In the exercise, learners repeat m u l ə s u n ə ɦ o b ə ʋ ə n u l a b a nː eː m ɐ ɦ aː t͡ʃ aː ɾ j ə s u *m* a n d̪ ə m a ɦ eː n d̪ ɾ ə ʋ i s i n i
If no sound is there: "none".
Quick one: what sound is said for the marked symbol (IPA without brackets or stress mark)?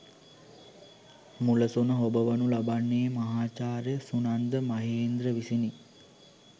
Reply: n